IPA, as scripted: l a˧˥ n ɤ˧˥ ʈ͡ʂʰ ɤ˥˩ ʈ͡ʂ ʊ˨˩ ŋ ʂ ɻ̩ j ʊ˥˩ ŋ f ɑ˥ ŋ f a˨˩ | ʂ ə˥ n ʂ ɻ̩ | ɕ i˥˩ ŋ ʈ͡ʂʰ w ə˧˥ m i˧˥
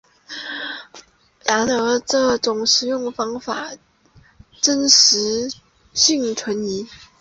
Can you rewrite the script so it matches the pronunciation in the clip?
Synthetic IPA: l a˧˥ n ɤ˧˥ ʈ͡ʂ ɤ˥˩ ʈ͡ʂ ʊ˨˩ ŋ ʂ ɻ̩ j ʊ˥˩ ŋ f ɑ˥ ŋ f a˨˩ | ʈ͡ʂ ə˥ n ʂ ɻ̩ | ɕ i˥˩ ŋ ʈ͡ʂʰ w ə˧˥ n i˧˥